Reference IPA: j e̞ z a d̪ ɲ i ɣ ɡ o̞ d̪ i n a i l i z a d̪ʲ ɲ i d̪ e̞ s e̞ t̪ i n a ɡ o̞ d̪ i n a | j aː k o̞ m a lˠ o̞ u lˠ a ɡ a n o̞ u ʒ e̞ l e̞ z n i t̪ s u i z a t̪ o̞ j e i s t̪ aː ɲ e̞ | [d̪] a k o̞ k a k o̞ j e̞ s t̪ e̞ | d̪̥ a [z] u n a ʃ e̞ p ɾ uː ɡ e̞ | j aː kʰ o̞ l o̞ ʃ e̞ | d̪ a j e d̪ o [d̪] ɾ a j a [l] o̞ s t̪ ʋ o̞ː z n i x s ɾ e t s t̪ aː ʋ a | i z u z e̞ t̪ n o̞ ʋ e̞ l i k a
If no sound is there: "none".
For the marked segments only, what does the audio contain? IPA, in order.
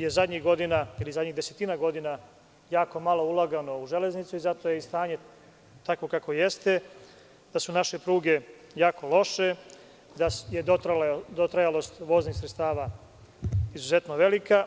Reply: t̪, s, t̪, l

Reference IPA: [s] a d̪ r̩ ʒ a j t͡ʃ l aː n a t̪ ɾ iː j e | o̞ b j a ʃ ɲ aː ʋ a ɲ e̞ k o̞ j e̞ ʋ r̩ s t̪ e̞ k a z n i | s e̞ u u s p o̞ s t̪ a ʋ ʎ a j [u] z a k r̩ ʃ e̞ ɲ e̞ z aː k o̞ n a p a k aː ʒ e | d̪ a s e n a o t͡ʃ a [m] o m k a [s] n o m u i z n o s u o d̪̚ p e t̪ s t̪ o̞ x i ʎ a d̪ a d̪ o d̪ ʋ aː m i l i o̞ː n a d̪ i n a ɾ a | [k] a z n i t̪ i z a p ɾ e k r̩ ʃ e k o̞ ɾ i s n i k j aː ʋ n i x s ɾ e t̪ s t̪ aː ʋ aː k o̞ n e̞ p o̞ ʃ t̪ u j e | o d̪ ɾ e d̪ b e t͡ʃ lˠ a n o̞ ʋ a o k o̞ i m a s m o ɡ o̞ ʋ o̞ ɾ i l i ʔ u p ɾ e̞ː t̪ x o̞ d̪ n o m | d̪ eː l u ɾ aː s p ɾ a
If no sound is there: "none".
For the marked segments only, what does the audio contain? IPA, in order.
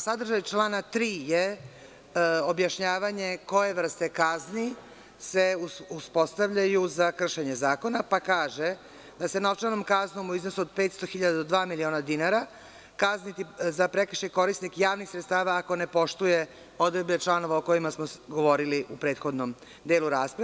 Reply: s, u, n, z, k

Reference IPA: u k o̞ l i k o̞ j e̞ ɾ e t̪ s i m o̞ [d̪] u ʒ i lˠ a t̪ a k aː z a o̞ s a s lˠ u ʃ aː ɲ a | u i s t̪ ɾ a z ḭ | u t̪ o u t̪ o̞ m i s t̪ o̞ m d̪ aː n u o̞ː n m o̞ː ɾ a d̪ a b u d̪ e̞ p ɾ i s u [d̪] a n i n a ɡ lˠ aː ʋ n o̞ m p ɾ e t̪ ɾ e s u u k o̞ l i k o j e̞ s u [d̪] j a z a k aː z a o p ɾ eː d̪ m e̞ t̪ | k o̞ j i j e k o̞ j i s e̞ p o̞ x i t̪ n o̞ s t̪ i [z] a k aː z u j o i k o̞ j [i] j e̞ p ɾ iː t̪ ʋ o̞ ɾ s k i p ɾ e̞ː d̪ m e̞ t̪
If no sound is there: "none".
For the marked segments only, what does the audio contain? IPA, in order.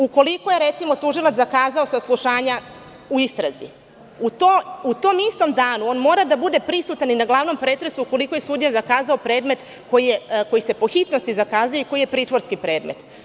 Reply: t̪, t̪, d̪, z, i

